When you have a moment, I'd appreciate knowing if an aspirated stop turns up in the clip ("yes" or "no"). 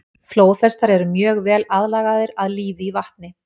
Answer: no